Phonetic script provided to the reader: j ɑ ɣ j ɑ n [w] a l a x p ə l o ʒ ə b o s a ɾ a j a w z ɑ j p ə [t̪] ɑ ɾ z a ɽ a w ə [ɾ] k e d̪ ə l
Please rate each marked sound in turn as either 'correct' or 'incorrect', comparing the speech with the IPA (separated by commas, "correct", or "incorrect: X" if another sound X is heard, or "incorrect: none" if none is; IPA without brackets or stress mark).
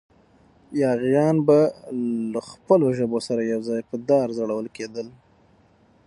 incorrect: b, incorrect: d̪, incorrect: l